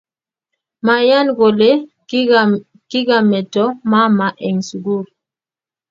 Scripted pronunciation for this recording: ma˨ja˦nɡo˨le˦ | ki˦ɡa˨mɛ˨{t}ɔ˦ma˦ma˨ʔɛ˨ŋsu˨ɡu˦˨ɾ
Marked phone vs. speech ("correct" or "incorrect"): correct